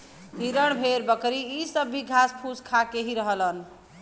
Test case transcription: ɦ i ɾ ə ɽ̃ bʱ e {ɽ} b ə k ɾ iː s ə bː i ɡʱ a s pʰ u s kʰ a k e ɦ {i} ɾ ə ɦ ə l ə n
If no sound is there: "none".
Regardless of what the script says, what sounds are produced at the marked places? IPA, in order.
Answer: ɾ, i

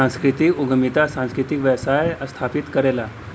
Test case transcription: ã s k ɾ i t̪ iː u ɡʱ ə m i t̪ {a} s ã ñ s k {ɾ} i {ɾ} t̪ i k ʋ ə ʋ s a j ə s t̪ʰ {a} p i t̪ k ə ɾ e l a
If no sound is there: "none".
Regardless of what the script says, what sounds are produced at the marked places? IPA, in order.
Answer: a, ɾ, none, a

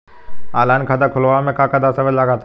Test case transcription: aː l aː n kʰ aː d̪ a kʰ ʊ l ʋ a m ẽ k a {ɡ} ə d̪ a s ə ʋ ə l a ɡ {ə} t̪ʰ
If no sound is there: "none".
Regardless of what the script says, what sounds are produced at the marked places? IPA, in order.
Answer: k, a

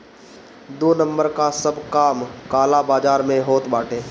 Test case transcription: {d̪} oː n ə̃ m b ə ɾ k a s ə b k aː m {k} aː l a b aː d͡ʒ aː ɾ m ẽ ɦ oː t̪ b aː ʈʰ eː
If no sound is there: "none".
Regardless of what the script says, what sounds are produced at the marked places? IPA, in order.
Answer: d̪, k

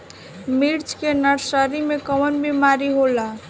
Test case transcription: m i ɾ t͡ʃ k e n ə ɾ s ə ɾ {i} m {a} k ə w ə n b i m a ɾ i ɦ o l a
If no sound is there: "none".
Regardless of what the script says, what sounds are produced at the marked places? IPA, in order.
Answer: i, e

